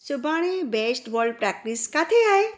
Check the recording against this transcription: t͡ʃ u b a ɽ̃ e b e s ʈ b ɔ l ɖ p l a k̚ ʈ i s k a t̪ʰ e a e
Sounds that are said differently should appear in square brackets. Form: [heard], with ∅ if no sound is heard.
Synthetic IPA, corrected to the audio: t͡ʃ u b a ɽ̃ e b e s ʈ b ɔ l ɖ p [ɾ] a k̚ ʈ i s k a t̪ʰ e a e